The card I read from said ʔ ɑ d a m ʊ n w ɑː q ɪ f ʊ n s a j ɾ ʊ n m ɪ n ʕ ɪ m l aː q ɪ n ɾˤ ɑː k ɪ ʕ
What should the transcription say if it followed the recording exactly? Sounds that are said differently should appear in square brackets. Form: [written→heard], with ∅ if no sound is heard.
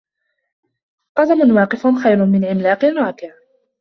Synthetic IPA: [ʔ→q] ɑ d a m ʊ n w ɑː q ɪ f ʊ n [s→x] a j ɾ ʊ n m ɪ n ʕ ɪ m l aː q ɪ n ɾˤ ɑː k ɪ ʕ